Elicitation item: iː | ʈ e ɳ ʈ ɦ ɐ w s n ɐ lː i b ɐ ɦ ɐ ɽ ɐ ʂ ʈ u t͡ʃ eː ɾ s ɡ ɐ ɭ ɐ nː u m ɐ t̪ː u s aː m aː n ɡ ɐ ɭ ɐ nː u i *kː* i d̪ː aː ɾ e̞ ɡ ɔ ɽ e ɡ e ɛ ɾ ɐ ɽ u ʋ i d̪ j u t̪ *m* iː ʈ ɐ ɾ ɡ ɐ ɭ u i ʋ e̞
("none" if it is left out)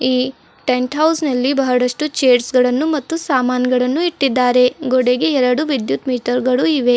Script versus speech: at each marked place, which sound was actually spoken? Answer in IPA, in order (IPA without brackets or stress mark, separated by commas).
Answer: ʈː, m